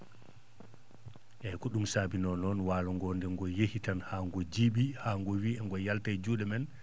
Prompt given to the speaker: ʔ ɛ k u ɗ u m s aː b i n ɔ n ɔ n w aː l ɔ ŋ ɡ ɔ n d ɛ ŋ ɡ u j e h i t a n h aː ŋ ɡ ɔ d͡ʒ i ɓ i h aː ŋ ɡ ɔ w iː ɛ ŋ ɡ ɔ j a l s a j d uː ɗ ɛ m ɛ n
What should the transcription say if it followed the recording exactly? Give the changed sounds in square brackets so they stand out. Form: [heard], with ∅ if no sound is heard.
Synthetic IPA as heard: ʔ ɛ k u ɗ u m s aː b i n ɔ n ɔ n w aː l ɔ ŋ ɡ ɔ n d ɛ ŋ ɡ [ɔ] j e h i t a n h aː ŋ ɡ ɔ d͡ʒ i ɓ i h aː ŋ ɡ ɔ w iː ɛ ŋ ɡ ɔ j a l [t] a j [d͡ʒ] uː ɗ ɛ m ɛ n